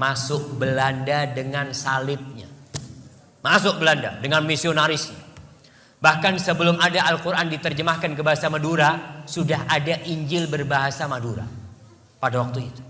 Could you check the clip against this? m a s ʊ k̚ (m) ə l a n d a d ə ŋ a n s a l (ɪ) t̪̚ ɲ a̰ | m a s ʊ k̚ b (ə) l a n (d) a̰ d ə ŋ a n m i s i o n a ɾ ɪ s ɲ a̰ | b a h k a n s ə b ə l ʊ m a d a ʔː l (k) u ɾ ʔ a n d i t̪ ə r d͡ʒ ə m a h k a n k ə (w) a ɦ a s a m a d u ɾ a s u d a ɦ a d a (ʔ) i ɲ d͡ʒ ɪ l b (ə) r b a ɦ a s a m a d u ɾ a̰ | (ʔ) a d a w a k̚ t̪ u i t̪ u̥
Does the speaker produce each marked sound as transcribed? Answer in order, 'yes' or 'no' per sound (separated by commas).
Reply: no, yes, yes, yes, yes, no, yes, yes, no